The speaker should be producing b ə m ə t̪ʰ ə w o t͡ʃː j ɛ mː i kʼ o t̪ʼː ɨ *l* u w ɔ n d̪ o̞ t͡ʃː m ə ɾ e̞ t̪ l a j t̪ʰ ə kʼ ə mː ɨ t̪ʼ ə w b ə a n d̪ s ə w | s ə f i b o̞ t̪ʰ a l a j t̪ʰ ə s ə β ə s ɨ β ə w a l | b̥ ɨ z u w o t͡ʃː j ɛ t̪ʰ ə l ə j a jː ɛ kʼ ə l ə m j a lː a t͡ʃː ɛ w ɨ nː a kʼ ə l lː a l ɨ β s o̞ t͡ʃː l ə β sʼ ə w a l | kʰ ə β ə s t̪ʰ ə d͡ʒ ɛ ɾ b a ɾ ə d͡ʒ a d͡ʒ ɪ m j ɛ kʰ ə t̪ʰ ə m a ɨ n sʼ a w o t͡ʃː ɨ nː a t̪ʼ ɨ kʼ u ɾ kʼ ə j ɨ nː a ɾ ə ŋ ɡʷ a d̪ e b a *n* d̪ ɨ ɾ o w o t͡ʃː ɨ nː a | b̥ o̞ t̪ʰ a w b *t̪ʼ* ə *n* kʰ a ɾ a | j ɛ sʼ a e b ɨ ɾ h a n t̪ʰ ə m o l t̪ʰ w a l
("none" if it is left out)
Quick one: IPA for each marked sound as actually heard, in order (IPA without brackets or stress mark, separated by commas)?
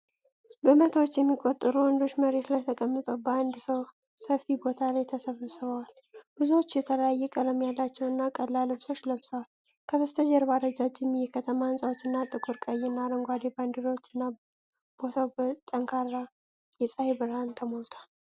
ɾ, n, t̪ʼ, ŋ